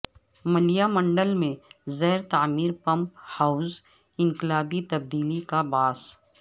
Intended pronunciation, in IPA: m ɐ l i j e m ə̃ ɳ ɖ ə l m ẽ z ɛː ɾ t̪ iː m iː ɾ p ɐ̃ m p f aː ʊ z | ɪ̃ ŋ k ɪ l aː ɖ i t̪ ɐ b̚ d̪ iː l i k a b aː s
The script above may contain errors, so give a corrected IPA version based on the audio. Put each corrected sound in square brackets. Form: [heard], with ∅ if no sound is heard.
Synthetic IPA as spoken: m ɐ l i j [a] m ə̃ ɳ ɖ ə l m ẽ z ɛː ɾ t̪ [aː] m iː ɾ p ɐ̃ m p [h] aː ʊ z | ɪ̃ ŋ k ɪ l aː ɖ i t̪ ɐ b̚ d̪ iː l i k a b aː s